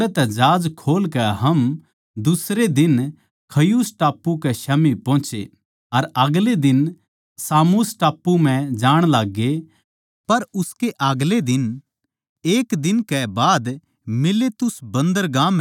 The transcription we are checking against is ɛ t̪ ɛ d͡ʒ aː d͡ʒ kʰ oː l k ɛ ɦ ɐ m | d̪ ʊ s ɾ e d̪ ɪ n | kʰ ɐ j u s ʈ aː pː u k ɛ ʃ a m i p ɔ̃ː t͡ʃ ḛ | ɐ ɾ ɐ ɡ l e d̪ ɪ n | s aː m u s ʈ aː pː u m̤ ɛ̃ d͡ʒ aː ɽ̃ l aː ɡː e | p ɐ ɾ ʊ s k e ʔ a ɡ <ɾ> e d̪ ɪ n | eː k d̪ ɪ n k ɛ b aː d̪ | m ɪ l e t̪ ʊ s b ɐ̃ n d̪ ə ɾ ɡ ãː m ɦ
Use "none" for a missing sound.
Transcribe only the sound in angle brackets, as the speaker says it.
l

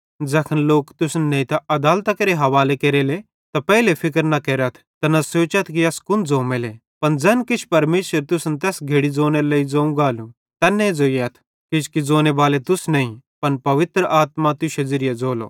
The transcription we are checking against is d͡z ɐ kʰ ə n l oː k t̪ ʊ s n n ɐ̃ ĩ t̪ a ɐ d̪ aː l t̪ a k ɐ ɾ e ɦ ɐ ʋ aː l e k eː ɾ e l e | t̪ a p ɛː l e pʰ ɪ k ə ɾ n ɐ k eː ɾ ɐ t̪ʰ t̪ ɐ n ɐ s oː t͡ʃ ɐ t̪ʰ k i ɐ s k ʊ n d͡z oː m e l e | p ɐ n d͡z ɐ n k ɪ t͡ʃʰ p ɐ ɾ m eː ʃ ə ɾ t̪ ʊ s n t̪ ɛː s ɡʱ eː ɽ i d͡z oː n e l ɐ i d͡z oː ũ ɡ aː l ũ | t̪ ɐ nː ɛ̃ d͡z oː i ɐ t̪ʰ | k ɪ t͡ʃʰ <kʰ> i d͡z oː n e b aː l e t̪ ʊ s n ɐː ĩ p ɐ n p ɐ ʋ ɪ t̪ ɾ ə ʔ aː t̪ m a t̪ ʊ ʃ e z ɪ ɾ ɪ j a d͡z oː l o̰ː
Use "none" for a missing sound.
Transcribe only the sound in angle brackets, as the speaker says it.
k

